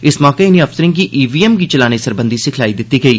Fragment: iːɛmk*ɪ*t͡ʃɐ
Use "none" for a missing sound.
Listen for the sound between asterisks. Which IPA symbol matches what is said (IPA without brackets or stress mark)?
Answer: i